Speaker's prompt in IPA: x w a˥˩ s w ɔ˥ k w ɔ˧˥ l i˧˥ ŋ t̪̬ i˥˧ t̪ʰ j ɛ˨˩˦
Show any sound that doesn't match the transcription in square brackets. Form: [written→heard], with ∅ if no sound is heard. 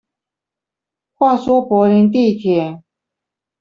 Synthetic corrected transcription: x w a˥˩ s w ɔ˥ [k→p] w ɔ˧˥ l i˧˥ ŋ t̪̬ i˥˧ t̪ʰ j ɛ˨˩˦